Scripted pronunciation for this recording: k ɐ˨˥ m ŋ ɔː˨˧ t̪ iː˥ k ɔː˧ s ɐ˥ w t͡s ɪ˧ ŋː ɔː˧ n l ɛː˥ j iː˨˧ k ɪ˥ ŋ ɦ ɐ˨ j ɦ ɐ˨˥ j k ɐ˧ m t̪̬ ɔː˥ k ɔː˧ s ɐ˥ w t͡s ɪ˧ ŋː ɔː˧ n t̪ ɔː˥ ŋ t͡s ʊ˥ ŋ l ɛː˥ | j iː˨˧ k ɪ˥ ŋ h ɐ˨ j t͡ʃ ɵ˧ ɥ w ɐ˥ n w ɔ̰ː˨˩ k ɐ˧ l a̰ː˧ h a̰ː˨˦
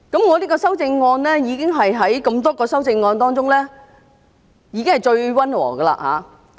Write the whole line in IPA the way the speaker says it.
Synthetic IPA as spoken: k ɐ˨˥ m ŋ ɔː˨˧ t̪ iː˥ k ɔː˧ s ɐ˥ w t͡s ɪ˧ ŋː ɔː˧ n l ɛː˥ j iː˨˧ k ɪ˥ ŋ ɦ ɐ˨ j ɦ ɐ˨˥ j k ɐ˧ m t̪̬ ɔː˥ k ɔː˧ s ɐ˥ w t͡s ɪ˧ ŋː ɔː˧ n t̪ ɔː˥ ŋ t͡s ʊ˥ ŋ l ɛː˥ | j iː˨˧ k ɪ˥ ŋ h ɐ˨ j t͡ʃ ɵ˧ ɥ w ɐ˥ n w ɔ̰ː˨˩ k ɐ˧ l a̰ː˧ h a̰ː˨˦